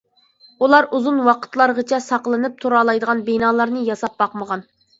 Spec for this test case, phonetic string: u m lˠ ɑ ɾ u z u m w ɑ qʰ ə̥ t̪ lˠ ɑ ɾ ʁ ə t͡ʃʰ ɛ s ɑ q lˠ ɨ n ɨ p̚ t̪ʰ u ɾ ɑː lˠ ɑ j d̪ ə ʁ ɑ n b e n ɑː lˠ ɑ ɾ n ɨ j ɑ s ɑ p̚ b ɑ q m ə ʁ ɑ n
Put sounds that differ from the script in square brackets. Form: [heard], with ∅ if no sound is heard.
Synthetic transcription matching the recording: u [∅] lˠ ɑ ɾ u z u [n] w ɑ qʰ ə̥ t̪ lˠ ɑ ɾ ʁ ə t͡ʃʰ ɛ s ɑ q lˠ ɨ n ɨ p̚ t̪ʰ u ɾ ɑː lˠ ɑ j d̪ ə ʁ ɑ n b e n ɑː lˠ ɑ ɾ n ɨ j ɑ s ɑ p̚ b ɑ q m ə ʁ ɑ n